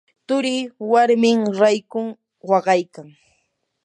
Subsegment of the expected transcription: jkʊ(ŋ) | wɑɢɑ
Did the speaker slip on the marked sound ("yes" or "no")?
no